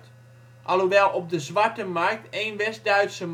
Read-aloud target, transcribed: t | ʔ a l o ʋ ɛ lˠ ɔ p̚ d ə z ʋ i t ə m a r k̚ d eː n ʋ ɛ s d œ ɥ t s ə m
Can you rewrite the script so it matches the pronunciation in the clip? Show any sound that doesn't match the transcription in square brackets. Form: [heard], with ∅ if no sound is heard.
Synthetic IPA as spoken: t | ʔ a l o ʋ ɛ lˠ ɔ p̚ d ə z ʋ [a] t ə m a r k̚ [t] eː n ʋ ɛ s d œ ɥ t s ə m